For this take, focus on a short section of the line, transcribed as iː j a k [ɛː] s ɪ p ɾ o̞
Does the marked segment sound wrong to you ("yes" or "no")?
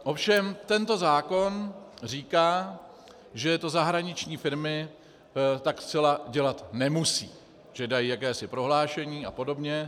no